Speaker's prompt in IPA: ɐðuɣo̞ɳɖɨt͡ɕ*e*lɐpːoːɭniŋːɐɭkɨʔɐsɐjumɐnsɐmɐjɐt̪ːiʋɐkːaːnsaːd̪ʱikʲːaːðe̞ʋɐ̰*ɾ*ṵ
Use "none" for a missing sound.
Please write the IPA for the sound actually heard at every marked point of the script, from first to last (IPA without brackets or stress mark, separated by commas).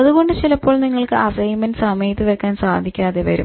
i, ɾ